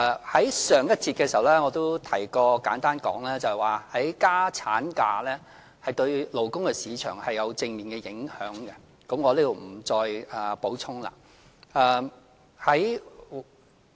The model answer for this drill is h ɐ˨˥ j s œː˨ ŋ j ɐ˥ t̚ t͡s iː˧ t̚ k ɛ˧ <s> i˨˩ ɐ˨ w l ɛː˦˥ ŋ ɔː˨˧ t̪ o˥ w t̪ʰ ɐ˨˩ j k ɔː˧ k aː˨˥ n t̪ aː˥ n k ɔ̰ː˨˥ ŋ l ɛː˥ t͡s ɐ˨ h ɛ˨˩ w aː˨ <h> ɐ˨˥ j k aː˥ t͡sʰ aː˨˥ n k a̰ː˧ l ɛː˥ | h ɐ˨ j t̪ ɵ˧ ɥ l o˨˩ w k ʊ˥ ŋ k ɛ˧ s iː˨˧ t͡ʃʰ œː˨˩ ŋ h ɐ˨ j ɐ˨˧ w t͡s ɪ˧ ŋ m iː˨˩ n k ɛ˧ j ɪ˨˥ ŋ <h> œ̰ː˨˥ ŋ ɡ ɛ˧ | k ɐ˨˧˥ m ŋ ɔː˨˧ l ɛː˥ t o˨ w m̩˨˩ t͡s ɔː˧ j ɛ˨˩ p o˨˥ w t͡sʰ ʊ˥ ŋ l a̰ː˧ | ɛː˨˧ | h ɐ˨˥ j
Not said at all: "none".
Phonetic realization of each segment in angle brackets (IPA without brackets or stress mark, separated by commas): s, h, h